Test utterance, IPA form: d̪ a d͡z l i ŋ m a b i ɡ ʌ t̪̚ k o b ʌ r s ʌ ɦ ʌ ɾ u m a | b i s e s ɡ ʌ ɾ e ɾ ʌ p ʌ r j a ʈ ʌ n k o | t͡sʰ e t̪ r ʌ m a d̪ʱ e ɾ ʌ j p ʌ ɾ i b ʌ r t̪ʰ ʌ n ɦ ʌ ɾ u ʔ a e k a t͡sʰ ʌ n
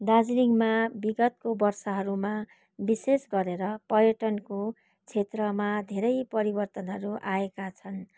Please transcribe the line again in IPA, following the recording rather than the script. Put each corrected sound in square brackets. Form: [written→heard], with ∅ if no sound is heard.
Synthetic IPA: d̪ a d͡z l i ŋ m a b i ɡ ʌ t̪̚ k o b ʌ r s ʌ ɦ ʌ ɾ u m a | b i s e s ɡ ʌ ɾ e ɾ ʌ p ʌ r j [a→ʌ] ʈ ʌ n k o | t͡sʰ e t̪ r ʌ m a d̪ʱ e ɾ ʌ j p ʌ ɾ i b ʌ r [t̪ʰ→t̪] ʌ n ɦ ʌ ɾ u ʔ a e k a t͡sʰ ʌ n